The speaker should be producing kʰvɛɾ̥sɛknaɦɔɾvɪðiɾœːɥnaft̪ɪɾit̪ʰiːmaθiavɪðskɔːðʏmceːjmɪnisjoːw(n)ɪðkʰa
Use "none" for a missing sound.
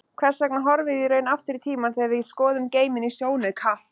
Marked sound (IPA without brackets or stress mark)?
n